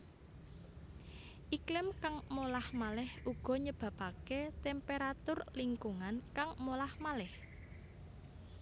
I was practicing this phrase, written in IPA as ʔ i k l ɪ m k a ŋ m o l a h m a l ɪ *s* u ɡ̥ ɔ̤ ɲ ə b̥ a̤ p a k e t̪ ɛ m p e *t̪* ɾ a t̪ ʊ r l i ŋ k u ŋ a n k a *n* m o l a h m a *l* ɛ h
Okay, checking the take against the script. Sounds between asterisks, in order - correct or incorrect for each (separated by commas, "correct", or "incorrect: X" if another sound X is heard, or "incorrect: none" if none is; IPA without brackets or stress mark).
incorrect: h, incorrect: none, incorrect: ŋ, correct